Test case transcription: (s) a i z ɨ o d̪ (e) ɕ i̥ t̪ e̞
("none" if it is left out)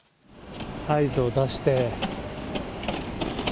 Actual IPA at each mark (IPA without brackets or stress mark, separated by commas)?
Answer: h, a